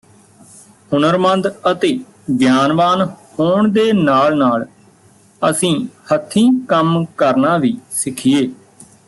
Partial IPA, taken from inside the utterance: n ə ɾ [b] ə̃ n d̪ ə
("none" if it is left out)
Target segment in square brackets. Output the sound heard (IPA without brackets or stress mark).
m